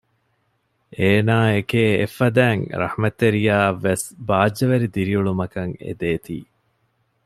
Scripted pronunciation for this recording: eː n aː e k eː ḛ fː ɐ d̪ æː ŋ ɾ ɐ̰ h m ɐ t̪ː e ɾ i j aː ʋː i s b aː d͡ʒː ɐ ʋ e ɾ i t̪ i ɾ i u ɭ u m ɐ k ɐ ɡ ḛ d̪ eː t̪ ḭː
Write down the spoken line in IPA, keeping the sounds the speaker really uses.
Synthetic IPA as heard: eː n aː e k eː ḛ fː ɐ d̪ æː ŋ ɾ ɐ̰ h m ɐ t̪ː e ɾ i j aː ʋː e s b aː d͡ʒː ɐ ʋ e ɾ i d̪ i ɾ i u ɭ u m ɐ k ɐ ŋ ḛ d̪ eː t̪ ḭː